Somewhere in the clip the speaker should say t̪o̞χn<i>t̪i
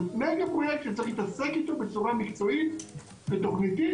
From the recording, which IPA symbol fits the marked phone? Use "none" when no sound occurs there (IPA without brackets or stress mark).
i